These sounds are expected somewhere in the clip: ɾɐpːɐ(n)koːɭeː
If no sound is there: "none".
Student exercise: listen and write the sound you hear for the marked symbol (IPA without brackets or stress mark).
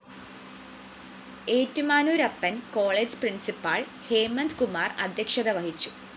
n